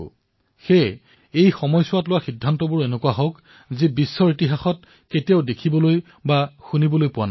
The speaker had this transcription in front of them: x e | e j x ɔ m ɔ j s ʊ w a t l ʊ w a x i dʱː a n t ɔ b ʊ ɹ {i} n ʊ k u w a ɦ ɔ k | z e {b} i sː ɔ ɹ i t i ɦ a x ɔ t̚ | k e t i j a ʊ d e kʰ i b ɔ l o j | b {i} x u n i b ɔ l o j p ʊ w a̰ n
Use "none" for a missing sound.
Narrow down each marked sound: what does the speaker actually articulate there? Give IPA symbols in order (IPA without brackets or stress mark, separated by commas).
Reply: e, b, a